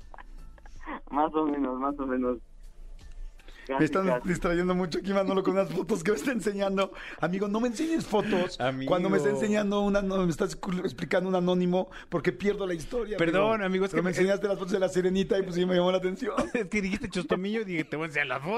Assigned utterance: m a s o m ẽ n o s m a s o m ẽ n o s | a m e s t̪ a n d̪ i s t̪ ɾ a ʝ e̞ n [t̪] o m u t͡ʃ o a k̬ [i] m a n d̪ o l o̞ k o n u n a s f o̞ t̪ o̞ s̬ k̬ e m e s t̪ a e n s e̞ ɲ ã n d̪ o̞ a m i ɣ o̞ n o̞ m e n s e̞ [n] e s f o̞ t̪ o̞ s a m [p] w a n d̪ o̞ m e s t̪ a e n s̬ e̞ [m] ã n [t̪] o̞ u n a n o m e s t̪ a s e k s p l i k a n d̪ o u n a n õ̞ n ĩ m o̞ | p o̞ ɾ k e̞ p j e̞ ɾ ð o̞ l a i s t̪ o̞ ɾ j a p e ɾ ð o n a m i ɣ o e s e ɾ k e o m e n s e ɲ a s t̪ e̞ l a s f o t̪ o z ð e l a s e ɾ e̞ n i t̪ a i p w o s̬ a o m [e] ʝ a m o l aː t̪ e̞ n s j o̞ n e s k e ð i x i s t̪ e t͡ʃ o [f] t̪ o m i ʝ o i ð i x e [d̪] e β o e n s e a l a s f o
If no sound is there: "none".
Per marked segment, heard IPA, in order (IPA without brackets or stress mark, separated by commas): d̪, i, ɲ, k, ɲ, d̪, e, s, t̪